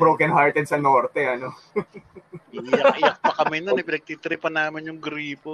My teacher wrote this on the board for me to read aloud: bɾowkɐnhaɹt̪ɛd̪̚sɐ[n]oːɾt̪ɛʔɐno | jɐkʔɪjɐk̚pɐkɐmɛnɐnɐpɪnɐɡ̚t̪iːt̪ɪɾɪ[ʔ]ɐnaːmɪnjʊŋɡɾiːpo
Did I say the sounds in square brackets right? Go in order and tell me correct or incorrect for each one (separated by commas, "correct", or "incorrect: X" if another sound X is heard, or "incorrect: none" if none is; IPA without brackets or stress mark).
correct, incorrect: p